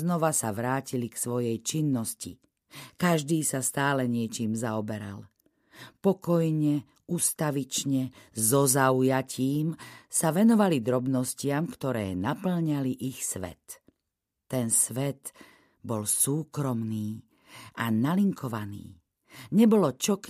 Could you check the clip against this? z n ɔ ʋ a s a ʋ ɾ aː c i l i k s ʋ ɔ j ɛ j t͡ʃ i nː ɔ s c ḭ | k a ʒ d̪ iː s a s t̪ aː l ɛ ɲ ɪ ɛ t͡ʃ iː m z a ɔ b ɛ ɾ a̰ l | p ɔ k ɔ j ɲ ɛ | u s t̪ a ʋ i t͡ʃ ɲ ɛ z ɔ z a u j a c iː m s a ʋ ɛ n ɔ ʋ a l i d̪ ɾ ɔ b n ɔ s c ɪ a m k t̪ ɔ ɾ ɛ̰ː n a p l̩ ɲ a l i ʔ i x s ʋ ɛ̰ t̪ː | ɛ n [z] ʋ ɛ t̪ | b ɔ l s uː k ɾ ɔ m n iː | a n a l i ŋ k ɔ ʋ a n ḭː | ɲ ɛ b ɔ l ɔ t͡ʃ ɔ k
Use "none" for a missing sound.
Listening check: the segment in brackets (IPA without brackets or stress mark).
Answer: s